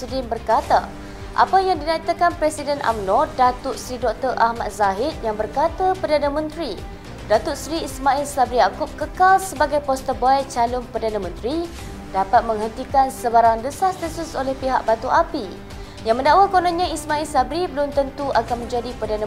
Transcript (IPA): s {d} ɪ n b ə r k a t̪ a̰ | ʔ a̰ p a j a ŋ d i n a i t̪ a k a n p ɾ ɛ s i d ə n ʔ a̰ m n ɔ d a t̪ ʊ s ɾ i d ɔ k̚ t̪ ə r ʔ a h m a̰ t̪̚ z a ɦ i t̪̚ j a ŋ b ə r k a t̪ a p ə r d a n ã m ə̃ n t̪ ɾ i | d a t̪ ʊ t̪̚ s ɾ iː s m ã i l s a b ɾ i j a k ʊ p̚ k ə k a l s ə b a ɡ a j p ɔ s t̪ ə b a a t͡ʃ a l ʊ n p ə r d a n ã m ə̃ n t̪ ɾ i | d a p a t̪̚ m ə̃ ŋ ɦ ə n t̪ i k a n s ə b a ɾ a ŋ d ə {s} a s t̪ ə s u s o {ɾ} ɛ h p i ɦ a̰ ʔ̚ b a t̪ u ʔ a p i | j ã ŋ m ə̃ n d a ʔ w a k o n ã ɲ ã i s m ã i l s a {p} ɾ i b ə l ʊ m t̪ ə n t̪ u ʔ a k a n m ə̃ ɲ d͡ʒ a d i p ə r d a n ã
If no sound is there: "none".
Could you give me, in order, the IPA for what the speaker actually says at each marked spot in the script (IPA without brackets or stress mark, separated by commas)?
d, s, l, b